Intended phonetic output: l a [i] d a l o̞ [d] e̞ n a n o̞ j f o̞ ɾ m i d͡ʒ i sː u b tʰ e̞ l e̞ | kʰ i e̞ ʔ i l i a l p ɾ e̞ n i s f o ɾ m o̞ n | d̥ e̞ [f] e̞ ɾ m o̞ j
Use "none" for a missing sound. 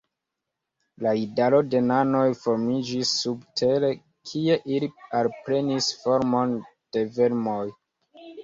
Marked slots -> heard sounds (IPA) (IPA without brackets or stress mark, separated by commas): i, d, v